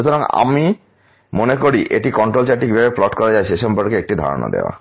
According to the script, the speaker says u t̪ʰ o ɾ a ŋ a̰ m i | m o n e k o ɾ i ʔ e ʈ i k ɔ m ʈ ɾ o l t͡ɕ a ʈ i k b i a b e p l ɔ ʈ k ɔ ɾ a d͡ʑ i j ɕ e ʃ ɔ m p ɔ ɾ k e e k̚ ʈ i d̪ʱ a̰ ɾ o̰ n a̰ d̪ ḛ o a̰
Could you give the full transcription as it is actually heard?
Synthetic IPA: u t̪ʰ o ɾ a ŋ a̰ m i | m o n e k o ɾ i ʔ e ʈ i k ɔ ɳ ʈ ɾ o l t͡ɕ a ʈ i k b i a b e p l ɔ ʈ k ɔ ɾ a d͡ʑ a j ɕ e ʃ ɔ m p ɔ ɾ k e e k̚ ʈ i d̪ʱ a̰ ɾ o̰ n a̰ d̪ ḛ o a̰